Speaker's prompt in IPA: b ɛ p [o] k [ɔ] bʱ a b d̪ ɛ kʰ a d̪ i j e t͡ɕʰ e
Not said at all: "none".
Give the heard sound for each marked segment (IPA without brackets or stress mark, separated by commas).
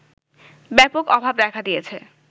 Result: o, ɔ